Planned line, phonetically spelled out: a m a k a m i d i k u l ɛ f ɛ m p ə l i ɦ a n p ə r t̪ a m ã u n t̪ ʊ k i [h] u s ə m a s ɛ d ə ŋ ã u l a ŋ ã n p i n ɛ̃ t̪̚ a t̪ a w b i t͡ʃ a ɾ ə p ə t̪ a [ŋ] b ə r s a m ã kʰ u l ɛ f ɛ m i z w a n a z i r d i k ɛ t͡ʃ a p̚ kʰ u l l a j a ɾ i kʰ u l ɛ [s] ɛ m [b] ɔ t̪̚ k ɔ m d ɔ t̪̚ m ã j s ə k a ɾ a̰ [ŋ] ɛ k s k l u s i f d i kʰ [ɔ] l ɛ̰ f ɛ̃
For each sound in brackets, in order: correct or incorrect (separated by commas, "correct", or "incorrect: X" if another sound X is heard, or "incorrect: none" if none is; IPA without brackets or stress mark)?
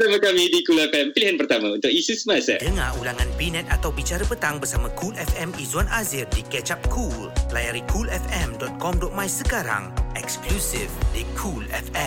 incorrect: s, correct, incorrect: f, incorrect: d, correct, incorrect: u